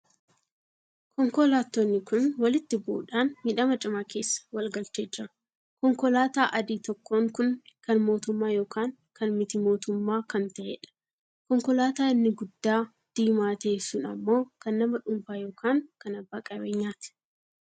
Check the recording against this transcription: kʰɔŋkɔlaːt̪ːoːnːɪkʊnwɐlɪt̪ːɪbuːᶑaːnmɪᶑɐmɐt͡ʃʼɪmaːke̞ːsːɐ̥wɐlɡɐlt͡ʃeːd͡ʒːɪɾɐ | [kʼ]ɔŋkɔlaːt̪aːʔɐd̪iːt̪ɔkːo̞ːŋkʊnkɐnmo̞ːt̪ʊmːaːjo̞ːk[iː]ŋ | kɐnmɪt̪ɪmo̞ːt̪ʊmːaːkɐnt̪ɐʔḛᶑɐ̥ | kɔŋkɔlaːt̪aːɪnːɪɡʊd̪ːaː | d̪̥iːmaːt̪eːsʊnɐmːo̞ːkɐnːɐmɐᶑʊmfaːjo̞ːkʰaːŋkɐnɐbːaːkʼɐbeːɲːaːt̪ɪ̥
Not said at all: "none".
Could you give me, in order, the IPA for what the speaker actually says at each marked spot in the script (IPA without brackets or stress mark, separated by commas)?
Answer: k, aː